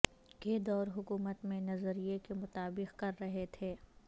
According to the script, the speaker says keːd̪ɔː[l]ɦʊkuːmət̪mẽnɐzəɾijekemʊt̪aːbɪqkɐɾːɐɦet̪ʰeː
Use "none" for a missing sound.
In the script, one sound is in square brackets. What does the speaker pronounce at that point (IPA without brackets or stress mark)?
ɾ